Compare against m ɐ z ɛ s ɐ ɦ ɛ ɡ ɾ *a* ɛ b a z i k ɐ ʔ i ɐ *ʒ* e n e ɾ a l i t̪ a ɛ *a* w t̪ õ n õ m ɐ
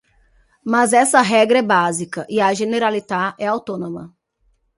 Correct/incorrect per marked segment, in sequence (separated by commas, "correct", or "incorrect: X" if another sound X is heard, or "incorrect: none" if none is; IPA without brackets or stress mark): incorrect: ɐ, correct, correct